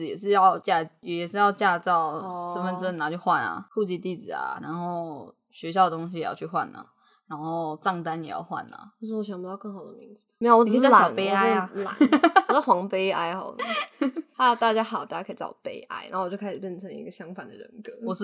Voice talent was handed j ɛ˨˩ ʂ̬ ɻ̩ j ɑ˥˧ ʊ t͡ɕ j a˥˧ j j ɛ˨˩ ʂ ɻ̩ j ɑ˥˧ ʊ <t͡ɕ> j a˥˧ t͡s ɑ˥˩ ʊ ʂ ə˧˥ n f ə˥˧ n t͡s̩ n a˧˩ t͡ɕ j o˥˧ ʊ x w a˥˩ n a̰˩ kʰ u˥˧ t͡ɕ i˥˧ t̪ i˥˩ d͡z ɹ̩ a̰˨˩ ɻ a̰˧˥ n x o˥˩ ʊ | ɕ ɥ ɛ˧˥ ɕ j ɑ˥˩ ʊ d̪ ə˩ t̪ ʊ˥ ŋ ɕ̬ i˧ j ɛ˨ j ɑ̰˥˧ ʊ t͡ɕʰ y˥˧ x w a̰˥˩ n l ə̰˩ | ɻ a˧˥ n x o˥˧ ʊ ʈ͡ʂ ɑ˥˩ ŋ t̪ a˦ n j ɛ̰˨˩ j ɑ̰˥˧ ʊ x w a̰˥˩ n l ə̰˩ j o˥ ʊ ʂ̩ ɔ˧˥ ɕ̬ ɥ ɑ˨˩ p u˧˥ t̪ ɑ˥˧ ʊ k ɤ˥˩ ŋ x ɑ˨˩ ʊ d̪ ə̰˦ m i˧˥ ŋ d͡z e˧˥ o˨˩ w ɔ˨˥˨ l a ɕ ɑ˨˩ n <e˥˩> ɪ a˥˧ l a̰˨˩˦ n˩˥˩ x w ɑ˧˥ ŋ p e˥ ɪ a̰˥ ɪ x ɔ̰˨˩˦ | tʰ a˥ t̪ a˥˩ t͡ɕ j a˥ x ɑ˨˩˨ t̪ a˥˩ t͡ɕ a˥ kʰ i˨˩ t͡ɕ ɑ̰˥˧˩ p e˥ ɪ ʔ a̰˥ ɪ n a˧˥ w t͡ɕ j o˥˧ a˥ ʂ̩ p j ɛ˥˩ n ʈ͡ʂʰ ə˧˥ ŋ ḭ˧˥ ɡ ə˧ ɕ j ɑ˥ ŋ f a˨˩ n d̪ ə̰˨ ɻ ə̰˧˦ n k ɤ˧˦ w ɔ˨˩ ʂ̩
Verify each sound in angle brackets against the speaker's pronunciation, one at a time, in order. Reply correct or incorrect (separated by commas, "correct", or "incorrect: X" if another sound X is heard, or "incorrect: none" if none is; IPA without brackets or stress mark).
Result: correct, incorrect: e˥